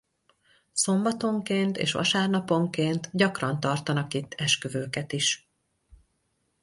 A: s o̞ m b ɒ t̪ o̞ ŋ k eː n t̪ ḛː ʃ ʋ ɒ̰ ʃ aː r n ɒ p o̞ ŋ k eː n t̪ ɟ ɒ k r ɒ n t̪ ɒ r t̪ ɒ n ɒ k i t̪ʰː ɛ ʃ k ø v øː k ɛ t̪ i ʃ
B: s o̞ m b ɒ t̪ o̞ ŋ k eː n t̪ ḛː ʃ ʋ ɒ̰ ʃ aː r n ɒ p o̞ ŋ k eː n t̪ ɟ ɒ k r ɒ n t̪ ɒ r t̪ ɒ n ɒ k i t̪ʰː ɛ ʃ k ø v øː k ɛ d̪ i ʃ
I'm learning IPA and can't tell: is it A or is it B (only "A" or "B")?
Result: A